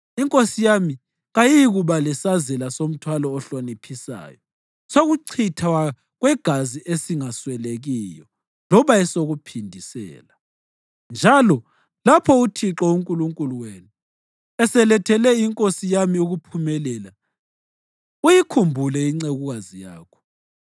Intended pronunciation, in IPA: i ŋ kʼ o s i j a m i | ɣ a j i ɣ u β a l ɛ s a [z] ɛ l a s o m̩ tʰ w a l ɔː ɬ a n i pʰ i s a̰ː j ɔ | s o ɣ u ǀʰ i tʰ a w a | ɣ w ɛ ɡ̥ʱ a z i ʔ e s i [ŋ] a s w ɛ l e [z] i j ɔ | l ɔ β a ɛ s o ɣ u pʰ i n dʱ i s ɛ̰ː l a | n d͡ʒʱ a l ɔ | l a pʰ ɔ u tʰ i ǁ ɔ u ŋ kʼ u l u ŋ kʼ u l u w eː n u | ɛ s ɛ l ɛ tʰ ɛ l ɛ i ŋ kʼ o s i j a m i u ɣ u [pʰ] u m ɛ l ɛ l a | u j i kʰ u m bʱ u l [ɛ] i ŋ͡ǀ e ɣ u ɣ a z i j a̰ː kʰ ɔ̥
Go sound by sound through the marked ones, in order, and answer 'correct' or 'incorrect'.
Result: correct, correct, incorrect: ɣ, correct, correct

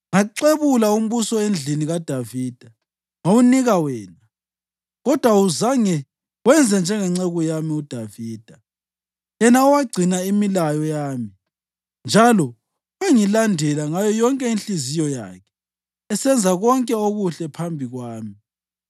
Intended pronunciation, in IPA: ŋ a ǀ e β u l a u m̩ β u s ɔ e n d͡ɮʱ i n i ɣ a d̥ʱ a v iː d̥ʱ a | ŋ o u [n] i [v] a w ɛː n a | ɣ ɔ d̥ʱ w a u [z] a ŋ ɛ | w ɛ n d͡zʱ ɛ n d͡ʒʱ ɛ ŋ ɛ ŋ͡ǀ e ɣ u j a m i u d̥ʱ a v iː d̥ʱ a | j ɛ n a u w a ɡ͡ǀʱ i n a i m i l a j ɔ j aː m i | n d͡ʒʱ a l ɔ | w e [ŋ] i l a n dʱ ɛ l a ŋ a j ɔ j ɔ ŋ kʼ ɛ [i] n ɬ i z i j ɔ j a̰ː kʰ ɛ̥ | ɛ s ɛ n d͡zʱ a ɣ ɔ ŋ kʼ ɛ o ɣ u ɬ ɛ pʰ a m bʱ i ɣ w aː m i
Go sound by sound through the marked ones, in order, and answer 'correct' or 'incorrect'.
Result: correct, incorrect: ɣ, correct, correct, correct

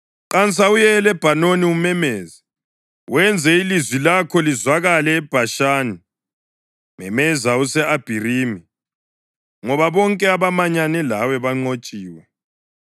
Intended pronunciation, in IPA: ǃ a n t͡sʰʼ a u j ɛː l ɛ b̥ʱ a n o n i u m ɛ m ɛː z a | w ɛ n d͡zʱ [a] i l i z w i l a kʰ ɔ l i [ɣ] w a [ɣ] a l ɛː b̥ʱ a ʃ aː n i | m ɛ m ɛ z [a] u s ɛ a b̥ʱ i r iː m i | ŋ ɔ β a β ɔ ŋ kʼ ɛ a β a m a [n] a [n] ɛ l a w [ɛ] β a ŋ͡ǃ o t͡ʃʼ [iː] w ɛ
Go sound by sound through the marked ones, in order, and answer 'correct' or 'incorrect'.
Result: incorrect: ɛ, incorrect: z, correct, correct, incorrect: ɲ, correct, correct, correct

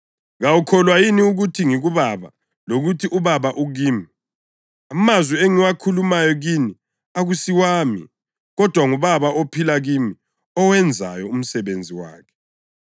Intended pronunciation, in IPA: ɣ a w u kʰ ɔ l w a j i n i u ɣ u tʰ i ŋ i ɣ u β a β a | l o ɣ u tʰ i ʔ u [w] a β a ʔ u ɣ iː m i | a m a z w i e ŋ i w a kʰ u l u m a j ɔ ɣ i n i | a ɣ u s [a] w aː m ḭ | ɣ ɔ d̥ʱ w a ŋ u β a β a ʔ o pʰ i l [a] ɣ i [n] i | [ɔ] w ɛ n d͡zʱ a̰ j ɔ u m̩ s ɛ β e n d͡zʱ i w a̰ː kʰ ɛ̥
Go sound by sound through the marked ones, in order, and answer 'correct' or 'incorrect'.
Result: incorrect: β, incorrect: i, correct, incorrect: m, correct

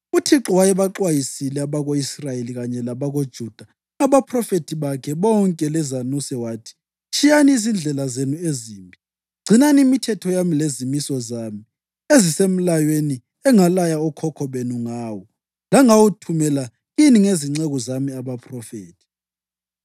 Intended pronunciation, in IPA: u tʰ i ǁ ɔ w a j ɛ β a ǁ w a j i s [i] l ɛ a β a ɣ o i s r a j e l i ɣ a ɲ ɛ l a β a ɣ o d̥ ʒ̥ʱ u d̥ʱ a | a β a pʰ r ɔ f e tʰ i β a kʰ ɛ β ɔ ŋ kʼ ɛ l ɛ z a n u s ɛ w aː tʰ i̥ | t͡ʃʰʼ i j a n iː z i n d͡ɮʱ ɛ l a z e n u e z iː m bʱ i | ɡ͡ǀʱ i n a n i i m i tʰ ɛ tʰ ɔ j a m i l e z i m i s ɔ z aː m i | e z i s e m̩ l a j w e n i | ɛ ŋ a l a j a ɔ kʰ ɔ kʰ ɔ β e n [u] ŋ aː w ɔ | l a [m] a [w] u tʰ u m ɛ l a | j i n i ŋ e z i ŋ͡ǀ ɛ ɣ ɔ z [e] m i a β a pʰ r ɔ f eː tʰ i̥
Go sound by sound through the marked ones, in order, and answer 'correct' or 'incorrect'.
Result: correct, correct, incorrect: ŋ, correct, incorrect: a

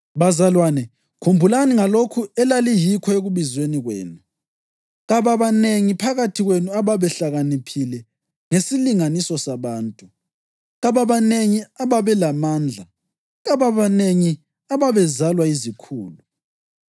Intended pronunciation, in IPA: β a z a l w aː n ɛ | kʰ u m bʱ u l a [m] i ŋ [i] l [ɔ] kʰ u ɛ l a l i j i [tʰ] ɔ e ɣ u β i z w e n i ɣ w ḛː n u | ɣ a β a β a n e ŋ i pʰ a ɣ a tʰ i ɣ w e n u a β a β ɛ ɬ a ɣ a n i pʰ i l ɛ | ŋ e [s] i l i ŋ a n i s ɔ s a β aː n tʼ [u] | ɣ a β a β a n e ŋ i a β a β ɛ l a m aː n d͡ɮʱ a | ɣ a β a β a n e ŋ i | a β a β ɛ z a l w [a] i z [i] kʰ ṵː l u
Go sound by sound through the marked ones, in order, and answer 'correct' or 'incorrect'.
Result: incorrect: n, incorrect: a, incorrect: o, incorrect: kʰ, correct, correct, correct, correct

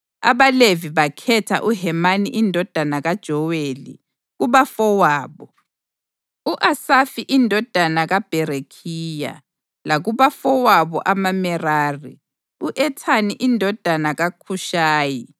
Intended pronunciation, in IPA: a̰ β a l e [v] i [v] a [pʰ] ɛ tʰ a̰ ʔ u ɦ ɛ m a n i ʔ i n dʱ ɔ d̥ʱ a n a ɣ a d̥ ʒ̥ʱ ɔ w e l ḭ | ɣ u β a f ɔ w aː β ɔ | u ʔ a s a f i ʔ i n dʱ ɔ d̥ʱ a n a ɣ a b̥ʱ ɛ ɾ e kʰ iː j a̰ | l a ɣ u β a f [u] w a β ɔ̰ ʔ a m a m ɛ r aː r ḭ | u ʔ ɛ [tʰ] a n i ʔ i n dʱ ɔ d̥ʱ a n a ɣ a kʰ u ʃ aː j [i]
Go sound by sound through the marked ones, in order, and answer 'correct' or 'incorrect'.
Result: correct, incorrect: β, incorrect: kʰ, incorrect: ɔ, correct, correct

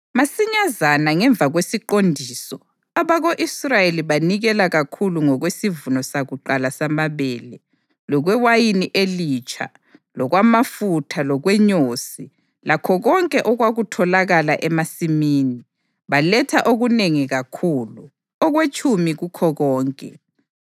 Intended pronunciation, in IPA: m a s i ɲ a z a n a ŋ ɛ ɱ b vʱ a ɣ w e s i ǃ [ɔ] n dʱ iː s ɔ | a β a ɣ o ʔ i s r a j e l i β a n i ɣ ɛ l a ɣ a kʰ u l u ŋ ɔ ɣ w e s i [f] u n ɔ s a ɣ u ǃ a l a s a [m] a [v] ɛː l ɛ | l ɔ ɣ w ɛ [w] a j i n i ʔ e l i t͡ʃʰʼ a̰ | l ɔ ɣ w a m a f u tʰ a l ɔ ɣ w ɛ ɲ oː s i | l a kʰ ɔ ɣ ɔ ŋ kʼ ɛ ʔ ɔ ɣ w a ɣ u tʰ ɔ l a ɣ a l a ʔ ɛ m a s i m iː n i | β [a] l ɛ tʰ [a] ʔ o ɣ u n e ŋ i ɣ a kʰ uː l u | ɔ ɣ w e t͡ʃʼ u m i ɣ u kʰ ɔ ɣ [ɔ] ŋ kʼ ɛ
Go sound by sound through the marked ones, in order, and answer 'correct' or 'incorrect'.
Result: incorrect: o, incorrect: v, correct, incorrect: β, correct, correct, correct, incorrect: ɔː

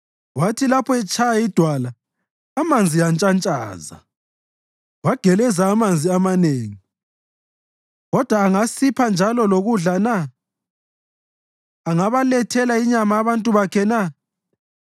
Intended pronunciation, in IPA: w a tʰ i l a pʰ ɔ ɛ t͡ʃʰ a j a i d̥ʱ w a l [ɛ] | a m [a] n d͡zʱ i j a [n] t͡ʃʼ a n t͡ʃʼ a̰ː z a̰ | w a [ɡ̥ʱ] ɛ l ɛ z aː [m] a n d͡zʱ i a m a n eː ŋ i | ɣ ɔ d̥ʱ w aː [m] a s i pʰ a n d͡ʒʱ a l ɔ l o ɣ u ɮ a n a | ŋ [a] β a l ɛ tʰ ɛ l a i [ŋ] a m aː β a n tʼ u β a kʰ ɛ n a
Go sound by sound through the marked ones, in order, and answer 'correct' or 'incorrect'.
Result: incorrect: a, correct, correct, correct, correct, incorrect: ŋ, correct, incorrect: ɲ

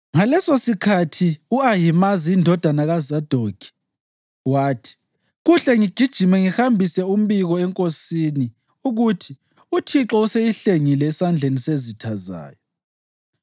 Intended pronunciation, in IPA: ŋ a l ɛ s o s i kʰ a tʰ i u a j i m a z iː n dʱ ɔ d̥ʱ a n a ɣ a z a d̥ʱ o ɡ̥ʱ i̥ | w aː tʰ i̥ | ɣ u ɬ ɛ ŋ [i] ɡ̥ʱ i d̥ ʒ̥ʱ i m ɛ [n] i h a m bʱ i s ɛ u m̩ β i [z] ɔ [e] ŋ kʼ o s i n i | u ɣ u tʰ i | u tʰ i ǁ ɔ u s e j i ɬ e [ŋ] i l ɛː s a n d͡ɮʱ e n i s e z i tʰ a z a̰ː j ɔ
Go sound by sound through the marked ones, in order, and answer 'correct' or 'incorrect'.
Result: correct, incorrect: ŋ, incorrect: ɣ, incorrect: ɛ, correct

